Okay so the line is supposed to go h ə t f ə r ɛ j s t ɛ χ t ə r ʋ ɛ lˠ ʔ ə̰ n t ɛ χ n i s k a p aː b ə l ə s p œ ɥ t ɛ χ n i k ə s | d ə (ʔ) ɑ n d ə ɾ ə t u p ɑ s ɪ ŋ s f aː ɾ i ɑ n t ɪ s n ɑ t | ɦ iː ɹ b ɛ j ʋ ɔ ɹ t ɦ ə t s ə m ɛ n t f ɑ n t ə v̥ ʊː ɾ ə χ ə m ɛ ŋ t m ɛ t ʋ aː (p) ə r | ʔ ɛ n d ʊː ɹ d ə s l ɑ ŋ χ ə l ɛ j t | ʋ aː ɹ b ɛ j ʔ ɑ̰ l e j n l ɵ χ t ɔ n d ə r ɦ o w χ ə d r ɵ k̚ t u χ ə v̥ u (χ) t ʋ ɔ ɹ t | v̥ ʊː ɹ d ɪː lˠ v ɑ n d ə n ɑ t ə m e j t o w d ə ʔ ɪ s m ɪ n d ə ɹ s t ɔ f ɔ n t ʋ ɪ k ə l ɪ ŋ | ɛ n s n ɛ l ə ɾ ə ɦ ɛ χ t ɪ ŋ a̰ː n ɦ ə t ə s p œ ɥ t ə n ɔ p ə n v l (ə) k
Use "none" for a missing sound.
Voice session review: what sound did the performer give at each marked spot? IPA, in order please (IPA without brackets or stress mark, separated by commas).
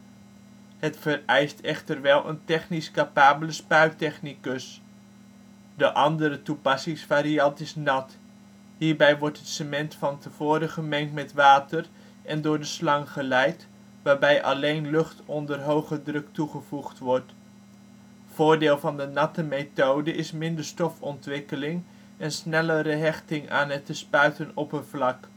ʔ, t, χ, ɑ